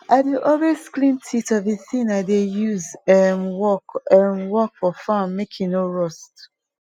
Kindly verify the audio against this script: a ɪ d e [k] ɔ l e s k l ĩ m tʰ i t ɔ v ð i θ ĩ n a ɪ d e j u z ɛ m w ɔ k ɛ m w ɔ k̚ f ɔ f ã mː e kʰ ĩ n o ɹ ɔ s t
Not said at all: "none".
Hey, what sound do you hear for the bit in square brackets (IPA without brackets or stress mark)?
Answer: ʔ